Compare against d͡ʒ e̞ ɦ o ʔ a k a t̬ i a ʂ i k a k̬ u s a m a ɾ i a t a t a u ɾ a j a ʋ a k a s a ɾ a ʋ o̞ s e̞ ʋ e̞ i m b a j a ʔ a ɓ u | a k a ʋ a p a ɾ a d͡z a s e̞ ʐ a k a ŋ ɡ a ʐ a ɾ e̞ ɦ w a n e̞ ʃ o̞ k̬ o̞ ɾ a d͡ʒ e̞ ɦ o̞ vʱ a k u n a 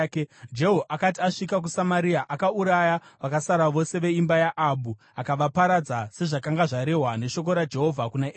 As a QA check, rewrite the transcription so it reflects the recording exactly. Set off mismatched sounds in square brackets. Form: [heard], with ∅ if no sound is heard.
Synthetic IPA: d͡ʒ e̞ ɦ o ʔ a k a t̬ i a ʂ i k a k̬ u s a m a ɾ i a [ʔ] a [k] a u ɾ a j a ʋ a k a s a ɾ a ʋ o̞ s e̞ ʋ e̞ i m b a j a ʔ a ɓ u | a k a ʋ a p a ɾ a d͡z a s e̞ ʐ a k a ŋ ɡ a ʐ a ɾ e̞ ɦ w a n e̞ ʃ o̞ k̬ o̞ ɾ a d͡ʒ e̞ ɦ o̞ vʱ a k u n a